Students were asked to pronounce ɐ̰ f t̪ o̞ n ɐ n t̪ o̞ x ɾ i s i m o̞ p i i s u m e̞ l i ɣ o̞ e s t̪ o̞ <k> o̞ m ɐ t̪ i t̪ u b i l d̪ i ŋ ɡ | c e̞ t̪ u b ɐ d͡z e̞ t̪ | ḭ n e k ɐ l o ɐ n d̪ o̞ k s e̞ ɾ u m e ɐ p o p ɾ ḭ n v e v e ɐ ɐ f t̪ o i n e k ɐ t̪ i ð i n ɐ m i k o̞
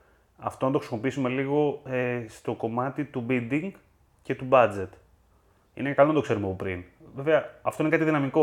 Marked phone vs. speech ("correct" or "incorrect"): correct